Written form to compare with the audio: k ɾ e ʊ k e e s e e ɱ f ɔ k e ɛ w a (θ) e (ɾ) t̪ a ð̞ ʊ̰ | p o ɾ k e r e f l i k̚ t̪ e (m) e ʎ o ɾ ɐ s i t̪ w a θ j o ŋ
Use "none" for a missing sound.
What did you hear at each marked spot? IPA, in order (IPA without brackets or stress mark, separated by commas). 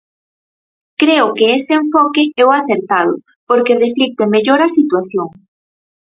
θ, ɾ, m